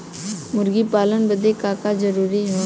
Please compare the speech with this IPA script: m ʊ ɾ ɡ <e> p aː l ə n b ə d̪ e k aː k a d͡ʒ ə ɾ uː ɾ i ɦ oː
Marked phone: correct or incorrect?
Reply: incorrect